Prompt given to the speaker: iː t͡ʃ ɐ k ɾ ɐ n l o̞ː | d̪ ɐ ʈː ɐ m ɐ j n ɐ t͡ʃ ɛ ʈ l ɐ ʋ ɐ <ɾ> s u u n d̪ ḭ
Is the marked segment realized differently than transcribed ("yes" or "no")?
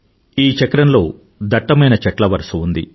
no